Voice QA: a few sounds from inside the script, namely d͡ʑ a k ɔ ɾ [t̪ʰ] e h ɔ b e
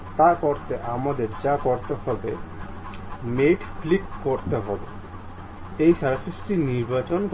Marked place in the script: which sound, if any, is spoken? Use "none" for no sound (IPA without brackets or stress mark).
t̪